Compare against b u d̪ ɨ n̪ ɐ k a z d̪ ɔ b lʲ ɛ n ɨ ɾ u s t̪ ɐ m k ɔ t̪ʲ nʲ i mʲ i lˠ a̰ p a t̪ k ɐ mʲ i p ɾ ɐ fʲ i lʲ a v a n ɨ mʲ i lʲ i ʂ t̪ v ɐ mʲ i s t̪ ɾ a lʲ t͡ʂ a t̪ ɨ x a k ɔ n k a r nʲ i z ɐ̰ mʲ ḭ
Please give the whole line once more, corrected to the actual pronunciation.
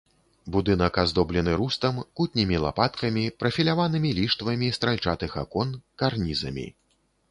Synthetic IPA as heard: b u d̪ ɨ n̪ ɐ k a z d̪ ɔ b lʲ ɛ n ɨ ɾ u s t̪ ɐ m k u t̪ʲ nʲ i mʲ i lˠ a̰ p a t̪ k ɐ mʲ i p ɾ ɐ fʲ i lʲ a v a n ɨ mʲ i lʲ i ʂ t̪ v ɐ mʲ i s t̪ ɾ a lʲ t͡ʂ a t̪ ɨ x a k ɔ n k a r nʲ i z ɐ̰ mʲ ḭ